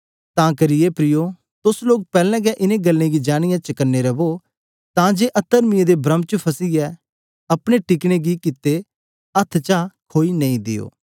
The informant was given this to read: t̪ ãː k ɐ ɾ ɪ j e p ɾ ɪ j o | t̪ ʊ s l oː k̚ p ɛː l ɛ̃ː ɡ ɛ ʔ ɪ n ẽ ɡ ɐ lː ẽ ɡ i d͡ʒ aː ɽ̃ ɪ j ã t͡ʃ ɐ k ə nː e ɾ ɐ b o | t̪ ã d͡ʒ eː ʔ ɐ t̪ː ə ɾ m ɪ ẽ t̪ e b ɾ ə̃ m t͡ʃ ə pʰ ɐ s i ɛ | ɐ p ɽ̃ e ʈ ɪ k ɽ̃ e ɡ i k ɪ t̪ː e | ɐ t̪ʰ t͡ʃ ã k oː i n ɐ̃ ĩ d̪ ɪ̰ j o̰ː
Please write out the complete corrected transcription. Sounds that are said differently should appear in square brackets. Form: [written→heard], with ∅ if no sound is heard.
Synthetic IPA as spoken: t̪ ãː k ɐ ɾ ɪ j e p ɾ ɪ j o | t̪ ʊ s l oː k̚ p ɛː l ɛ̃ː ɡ ɛ ʔ ɪ n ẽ ɡ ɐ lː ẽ ɡ i d͡ʒ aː ɽ̃ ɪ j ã t͡ʃ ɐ k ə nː e ɾ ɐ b o | t̪ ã d͡ʒ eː ʔ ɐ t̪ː ə ɾ m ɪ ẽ [t̪→d̪] e b ɾ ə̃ m t͡ʃ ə pʰ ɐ s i ɛ | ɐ p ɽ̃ e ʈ ɪ k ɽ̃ e ɡ i k ɪ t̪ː e | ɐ t̪ʰ t͡ʃ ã [k→kʰ] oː i n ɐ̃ ĩ d̪ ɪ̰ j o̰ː